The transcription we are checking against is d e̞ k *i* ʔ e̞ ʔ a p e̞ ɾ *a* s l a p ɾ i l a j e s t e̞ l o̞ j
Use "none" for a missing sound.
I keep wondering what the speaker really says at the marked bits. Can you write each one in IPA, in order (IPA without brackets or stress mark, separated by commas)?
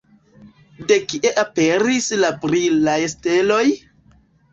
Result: i, i